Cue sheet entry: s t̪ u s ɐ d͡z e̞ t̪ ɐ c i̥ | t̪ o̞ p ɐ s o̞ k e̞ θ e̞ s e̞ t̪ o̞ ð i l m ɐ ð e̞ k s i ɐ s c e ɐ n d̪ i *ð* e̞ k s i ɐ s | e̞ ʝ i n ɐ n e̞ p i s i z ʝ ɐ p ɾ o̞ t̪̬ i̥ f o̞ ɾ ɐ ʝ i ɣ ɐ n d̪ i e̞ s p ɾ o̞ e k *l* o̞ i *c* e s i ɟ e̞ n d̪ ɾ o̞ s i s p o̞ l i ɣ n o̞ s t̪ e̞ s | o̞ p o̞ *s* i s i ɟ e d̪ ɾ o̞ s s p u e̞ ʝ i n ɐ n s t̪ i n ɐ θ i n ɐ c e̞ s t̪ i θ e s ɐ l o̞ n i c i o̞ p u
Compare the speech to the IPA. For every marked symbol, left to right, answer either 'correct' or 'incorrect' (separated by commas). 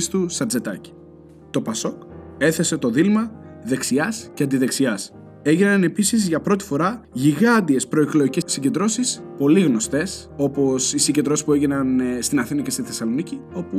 correct, correct, correct, correct